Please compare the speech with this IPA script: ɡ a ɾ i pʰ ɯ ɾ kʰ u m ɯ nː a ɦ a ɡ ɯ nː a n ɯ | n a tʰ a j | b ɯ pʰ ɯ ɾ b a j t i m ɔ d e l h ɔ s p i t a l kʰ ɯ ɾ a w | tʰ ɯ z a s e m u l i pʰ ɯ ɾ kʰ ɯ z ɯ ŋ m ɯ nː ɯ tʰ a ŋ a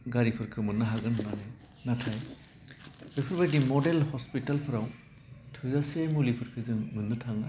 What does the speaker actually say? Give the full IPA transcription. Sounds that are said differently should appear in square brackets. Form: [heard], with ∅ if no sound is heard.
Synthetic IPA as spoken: ɡ a ɾ i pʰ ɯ ɾ kʰ [ɯ] m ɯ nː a ɦ a ɡ ɯ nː a n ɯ | n a tʰ a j | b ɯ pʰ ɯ ɾ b a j [d] i m ɔ d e l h ɔ s p i t a l [pʰ] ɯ ɾ a w | tʰ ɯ z a s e m u l i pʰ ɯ ɾ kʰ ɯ z ɯ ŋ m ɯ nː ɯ tʰ a ŋ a